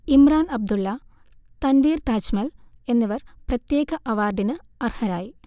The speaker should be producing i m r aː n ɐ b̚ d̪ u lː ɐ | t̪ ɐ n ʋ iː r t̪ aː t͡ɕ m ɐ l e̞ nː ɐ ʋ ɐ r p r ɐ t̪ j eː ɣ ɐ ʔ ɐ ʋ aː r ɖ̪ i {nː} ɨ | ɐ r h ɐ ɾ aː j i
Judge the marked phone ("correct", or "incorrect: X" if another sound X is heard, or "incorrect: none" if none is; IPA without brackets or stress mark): incorrect: n